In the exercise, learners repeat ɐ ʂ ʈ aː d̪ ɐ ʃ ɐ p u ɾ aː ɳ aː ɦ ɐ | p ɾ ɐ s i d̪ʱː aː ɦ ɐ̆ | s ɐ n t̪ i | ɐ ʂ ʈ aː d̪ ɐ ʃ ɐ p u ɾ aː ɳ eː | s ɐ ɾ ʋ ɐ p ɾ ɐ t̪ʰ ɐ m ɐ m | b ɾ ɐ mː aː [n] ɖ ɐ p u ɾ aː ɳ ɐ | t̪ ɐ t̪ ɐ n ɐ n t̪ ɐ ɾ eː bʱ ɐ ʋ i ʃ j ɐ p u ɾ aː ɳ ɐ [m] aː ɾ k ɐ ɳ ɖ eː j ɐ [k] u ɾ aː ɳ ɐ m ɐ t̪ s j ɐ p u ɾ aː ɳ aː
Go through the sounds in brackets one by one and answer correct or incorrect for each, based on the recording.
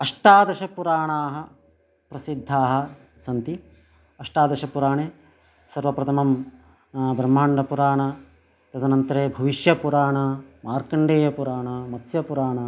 incorrect: ɳ, correct, incorrect: p

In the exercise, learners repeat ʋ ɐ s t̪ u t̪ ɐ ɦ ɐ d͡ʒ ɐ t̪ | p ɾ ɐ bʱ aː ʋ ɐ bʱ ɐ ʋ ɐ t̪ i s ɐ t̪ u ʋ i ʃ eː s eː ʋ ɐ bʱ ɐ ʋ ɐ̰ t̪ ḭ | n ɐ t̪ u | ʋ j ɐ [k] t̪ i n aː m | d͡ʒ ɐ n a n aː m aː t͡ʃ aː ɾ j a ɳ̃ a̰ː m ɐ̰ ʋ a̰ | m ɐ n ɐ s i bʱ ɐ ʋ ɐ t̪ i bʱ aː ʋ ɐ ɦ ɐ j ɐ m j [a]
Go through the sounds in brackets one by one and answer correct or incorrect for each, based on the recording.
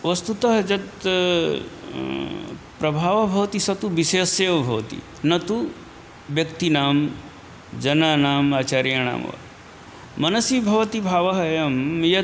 correct, incorrect: ɐ

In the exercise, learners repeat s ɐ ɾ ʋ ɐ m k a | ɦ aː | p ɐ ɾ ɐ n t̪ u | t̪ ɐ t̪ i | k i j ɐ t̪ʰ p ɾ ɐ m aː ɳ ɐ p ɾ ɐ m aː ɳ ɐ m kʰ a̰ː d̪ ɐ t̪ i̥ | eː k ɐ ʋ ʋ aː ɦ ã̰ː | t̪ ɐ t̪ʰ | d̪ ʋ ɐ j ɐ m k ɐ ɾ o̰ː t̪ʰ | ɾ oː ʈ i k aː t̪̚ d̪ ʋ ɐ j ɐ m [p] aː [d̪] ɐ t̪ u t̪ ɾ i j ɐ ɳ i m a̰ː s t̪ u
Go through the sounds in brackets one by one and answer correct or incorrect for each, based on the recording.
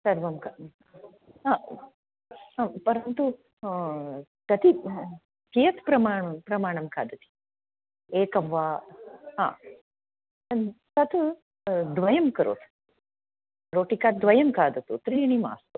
incorrect: k, correct

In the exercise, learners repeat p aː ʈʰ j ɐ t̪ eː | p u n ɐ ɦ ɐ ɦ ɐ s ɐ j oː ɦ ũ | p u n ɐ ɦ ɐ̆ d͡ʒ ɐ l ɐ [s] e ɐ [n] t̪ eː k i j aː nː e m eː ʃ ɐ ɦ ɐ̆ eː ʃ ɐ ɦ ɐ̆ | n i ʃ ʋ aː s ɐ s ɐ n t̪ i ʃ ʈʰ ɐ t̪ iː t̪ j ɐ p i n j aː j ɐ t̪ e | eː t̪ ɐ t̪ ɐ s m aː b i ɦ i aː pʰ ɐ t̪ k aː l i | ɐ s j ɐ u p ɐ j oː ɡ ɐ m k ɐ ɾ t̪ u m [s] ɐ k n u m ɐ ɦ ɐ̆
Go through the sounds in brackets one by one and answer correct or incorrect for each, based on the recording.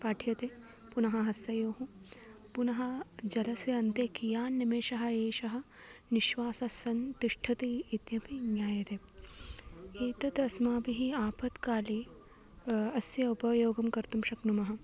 correct, correct, incorrect: ʃ

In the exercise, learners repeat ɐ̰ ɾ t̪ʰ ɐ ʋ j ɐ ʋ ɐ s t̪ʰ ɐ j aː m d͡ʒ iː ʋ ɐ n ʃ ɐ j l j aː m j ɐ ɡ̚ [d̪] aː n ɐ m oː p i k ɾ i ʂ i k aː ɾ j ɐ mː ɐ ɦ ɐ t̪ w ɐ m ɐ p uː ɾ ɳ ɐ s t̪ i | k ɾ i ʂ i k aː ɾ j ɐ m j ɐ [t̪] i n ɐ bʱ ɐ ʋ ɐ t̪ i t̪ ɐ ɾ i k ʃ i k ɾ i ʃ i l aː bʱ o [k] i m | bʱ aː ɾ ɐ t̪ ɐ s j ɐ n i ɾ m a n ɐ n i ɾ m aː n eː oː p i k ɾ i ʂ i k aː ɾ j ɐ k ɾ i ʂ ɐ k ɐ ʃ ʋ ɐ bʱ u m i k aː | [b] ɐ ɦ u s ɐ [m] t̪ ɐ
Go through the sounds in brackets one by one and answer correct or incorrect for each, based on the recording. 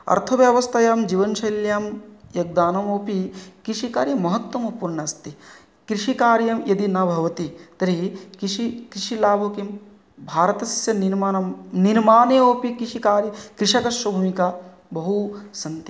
correct, incorrect: d̪, correct, correct, incorrect: n

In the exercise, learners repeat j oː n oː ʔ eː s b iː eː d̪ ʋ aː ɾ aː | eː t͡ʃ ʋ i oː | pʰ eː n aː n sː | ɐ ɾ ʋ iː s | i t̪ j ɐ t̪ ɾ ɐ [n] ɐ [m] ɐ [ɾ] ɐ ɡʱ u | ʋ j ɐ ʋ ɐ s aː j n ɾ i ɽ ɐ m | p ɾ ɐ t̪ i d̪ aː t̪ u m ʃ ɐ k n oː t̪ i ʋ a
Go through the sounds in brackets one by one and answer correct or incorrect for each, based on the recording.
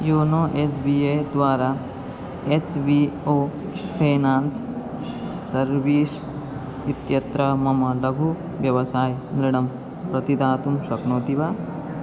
incorrect: m, correct, incorrect: l

